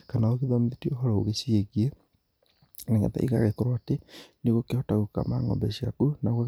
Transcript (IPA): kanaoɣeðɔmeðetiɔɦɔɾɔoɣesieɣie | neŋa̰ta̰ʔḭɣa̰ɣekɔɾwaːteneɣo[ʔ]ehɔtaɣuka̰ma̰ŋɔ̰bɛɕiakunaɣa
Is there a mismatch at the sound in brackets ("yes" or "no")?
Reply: yes